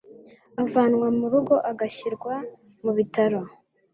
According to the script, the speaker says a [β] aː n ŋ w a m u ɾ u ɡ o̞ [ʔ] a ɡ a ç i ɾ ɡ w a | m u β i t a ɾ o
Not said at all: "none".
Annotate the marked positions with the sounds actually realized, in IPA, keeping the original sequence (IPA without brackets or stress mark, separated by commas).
v, ʔ